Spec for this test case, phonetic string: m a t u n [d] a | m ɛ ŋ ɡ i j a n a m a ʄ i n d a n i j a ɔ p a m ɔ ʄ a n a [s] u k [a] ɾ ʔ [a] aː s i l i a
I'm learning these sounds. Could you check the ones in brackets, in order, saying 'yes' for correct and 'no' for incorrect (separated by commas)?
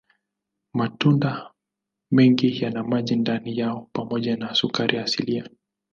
yes, yes, yes, no